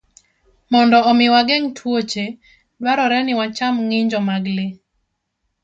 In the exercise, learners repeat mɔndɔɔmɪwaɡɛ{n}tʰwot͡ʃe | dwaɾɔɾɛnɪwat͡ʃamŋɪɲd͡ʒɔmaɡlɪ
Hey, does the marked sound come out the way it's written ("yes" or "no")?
no